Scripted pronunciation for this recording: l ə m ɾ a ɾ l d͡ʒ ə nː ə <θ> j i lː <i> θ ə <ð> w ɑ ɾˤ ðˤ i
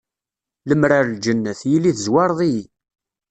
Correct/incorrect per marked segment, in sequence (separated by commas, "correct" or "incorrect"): correct, correct, incorrect